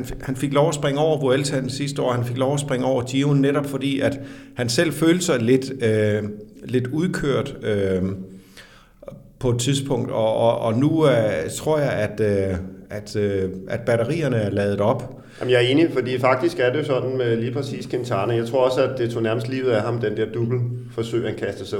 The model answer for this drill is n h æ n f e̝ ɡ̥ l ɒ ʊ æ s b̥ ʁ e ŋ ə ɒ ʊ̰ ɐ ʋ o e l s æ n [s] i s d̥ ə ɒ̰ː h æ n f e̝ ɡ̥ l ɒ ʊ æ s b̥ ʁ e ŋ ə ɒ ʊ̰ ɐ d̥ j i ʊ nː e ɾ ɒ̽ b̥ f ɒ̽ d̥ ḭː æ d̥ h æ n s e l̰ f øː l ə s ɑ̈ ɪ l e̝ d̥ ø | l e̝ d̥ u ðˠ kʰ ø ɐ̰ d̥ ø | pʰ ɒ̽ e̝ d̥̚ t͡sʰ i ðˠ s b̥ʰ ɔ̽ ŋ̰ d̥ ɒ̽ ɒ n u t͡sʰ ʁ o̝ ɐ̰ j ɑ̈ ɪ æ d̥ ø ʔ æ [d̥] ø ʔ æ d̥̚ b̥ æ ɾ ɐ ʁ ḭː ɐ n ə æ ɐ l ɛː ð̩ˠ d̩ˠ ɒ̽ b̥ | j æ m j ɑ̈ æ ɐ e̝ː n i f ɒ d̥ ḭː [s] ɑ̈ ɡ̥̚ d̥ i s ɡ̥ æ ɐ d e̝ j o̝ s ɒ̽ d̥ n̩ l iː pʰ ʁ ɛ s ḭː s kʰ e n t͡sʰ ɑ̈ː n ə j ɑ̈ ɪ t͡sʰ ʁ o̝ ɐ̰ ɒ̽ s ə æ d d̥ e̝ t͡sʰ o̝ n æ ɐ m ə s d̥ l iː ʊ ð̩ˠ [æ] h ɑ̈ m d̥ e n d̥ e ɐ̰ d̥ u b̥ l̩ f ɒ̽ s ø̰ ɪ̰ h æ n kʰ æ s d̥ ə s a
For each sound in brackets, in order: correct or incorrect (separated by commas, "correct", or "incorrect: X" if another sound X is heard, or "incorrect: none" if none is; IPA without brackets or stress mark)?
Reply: correct, correct, incorrect: f, correct